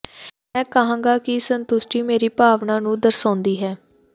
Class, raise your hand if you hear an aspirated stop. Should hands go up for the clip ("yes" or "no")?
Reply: no